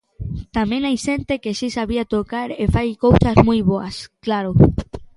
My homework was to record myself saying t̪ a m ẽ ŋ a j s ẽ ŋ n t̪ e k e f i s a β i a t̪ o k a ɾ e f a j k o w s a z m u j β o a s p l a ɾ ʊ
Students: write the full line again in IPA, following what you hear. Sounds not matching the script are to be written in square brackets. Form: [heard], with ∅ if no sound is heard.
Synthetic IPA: t̪ a m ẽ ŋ a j [ʃ] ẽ [∅] n t̪ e k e [ʃ] i s a β i a t̪ o k a ɾ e f a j k o w s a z m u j β o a s [k] l a ɾ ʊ